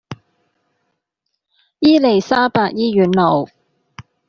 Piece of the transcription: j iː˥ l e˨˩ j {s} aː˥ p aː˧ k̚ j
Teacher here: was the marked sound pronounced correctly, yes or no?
yes